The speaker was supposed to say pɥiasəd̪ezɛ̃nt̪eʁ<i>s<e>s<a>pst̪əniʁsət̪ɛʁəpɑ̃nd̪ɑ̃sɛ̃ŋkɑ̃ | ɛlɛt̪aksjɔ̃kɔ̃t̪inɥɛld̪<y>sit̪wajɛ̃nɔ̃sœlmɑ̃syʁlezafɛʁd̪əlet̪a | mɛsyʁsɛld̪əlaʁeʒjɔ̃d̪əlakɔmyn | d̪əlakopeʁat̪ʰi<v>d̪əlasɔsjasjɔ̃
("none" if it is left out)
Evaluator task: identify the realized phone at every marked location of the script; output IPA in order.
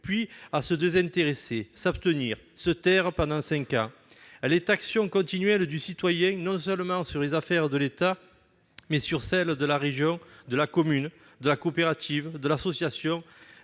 e, e, a, y, v

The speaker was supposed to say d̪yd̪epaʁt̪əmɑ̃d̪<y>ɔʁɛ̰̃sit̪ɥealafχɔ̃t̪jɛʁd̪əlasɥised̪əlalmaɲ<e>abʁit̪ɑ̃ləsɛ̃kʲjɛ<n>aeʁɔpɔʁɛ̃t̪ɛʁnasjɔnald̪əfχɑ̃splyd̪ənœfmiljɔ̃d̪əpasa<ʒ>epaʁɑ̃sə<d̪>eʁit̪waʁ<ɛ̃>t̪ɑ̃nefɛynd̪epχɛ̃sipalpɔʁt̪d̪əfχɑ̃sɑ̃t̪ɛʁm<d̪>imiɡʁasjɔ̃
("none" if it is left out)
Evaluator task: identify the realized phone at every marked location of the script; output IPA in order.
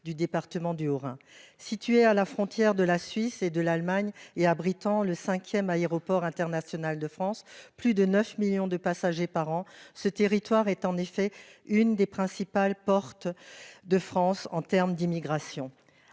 y, e, m, ʒ, t̪, ɛ, d̪

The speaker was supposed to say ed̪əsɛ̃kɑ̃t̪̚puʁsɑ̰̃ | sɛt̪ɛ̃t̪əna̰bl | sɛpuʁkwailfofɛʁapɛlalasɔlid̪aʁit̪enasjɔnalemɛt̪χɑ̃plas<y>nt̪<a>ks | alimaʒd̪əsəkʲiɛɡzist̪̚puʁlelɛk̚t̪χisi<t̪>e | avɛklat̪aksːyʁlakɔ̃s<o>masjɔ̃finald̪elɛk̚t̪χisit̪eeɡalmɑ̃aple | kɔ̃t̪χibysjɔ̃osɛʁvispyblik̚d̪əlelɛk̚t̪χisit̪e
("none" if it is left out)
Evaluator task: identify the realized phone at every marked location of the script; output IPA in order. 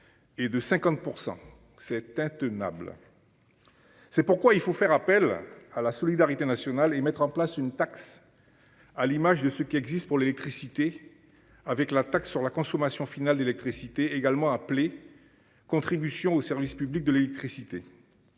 y, a, t̪, ɔ

